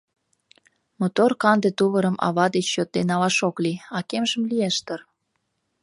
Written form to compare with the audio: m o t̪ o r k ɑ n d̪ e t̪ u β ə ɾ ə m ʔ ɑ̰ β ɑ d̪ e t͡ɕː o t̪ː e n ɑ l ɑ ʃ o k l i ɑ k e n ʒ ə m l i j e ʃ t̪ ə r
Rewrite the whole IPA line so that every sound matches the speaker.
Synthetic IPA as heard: m o t̪ o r k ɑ n d̪ e t̪ u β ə ɾ ə m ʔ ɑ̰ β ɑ d̪ e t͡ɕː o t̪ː e n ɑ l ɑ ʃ o k l i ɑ k e m ʒ ə m l i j e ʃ t̪ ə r